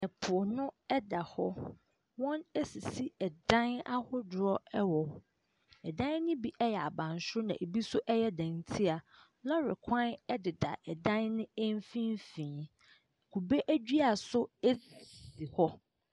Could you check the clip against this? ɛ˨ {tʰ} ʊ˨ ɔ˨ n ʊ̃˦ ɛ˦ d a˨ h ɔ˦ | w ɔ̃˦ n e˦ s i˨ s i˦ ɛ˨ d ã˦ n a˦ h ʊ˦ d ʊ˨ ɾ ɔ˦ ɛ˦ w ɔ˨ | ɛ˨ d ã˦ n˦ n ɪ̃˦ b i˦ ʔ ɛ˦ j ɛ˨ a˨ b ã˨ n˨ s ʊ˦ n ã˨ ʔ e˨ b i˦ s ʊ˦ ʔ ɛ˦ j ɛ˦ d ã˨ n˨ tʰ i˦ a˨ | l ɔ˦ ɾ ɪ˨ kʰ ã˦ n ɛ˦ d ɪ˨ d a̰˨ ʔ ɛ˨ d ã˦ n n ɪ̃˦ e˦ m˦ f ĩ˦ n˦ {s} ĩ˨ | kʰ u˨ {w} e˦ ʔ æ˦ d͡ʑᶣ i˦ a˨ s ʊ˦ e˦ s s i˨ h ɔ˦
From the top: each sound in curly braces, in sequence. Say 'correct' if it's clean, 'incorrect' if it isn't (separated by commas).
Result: incorrect, incorrect, incorrect